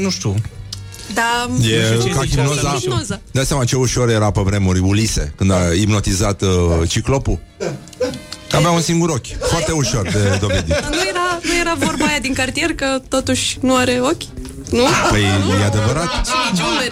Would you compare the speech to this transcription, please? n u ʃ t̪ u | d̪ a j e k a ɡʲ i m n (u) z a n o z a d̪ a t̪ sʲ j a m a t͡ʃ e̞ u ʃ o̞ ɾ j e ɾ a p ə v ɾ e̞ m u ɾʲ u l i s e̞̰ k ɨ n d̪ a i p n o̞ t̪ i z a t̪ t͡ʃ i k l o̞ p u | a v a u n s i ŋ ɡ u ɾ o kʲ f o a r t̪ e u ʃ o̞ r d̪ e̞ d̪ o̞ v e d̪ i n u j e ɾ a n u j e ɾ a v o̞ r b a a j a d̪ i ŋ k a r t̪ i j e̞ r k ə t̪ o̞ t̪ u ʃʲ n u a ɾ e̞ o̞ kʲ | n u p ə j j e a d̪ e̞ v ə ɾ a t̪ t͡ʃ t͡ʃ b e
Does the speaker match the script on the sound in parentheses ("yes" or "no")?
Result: no